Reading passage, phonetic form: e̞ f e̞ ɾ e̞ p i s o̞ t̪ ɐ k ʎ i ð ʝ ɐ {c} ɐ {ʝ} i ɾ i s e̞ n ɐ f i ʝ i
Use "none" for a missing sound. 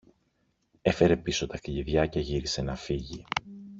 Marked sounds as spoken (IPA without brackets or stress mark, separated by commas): c, ʝ